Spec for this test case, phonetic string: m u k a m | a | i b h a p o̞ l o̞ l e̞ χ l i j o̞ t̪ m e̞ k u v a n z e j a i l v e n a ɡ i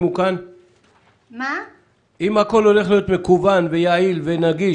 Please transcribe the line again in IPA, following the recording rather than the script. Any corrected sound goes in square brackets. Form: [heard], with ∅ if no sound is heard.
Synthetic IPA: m u k a [n] | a | i [m] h a [k] o̞ l o̞ l e̞ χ l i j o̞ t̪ m e̞ k u v a n [v] e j a i l v e n a ɡ i